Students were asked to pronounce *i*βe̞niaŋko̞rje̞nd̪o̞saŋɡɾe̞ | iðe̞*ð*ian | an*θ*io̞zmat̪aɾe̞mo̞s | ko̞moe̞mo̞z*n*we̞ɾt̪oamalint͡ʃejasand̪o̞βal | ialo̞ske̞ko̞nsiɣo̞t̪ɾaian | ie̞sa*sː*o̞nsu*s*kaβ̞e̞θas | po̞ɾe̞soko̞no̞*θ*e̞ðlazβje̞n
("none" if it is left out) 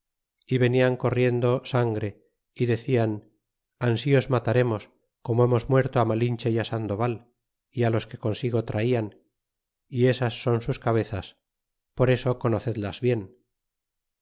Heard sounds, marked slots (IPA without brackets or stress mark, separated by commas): i, θ, s, m, sː, s, θ